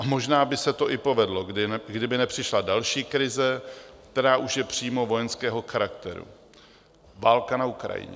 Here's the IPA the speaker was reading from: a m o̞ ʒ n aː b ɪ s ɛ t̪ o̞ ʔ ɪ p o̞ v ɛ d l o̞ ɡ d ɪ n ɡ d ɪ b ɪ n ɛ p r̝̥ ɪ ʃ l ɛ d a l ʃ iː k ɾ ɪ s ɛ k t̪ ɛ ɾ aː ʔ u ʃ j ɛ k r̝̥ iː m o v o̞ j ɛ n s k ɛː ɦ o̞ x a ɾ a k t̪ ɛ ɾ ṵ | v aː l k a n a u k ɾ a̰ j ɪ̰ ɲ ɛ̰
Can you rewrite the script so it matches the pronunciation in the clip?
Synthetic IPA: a m o̞ ʒ n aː b ɪ s ɛ t̪ o̞ ʔ ɪ p o̞ v ɛ d l o̞ ɡ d ɪ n ɡ d ɪ b ɪ n ɛ p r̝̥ ɪ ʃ l a d a l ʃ iː k ɾ ɪ z ɛ k t̪ ɛ ɾ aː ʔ u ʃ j ɛ p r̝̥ iː m o v o̞ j ɛ n s k ɛː ɦ o̞ x a ɾ a k t̪ ɛ ɾ ṵ | v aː l k a n a u k ɾ a̰ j ɪ̰ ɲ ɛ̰